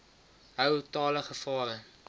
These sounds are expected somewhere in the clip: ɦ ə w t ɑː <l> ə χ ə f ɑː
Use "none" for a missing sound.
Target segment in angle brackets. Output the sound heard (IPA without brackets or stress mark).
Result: l